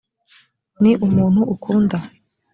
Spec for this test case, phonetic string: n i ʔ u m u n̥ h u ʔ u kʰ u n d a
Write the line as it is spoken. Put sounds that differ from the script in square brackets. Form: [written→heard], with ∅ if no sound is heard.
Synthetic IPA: n i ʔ u m [u→uː] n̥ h u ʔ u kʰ [u→uː] n d a